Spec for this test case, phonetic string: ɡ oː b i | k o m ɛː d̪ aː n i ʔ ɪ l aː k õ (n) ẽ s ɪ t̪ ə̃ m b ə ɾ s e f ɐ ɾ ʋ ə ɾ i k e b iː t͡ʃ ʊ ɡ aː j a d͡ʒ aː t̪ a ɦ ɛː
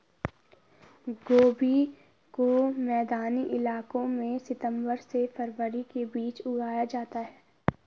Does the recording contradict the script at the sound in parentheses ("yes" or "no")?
yes